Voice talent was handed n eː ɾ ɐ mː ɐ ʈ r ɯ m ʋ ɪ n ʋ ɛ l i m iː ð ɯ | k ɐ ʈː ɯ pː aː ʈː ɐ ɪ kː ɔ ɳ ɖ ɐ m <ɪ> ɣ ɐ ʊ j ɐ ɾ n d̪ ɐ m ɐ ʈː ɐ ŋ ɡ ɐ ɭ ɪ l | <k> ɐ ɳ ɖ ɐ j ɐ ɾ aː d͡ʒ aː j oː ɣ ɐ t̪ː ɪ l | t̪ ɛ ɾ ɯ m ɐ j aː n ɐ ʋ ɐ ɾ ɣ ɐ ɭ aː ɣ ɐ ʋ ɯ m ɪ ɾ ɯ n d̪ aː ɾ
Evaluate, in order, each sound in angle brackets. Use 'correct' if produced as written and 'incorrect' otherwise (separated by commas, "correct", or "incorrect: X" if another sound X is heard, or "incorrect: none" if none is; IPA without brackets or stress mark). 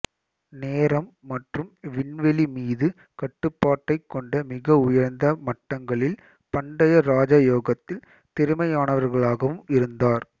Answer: correct, incorrect: p